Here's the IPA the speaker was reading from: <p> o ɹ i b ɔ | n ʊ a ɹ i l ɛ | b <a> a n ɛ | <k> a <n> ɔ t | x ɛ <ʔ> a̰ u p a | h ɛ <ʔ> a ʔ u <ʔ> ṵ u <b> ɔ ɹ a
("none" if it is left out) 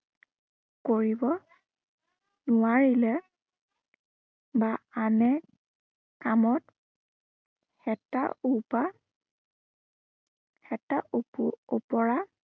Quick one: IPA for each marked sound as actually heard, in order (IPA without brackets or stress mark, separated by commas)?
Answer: k, a, k, m, t, t, p, p